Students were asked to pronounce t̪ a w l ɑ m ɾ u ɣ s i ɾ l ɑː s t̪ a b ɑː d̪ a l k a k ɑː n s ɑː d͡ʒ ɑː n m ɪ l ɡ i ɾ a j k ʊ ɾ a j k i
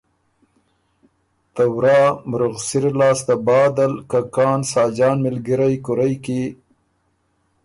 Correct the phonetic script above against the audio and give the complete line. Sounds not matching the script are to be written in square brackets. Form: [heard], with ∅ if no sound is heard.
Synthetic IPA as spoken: t̪ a w [ɾ] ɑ m ɾ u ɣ s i ɾ l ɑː s t̪ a b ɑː d̪ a l k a k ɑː n s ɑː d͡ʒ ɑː n m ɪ l ɡ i ɾ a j k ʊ ɾ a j k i